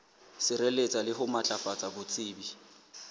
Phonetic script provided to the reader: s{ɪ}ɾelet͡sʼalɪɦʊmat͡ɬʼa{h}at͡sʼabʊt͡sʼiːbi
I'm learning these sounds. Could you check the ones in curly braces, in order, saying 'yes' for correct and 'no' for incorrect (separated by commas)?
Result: yes, no